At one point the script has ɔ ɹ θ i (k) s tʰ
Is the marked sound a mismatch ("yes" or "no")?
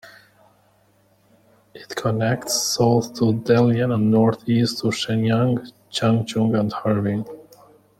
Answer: yes